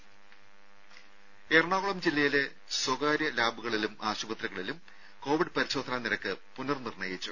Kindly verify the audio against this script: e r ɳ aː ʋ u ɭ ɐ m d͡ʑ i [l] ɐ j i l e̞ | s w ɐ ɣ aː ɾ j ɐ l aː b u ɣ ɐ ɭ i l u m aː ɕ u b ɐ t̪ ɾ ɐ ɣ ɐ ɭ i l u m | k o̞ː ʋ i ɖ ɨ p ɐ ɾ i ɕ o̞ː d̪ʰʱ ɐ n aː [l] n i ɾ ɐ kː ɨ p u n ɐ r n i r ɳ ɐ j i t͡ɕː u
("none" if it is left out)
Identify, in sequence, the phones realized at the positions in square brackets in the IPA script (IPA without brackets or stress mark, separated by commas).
lː, none